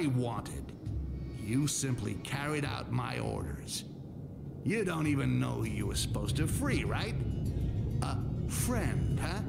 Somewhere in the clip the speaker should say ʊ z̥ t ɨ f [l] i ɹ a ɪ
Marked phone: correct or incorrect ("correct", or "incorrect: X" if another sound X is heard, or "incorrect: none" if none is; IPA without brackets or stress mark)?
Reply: incorrect: ɹ